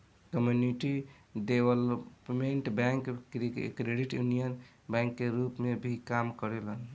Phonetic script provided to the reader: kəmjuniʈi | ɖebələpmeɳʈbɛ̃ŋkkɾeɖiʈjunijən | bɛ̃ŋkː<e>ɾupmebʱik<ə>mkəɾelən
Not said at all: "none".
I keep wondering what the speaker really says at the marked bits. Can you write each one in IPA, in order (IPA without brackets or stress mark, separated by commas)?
e, a